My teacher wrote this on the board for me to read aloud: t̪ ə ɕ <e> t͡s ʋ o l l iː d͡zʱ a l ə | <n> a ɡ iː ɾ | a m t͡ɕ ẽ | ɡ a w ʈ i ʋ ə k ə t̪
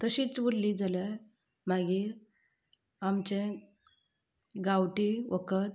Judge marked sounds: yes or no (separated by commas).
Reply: no, no